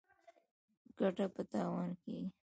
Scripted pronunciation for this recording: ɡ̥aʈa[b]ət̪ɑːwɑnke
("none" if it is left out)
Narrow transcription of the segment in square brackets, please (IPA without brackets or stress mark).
p